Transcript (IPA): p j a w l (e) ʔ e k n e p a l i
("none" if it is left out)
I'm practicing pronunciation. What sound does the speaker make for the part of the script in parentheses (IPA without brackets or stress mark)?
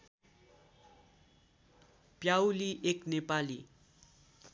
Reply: i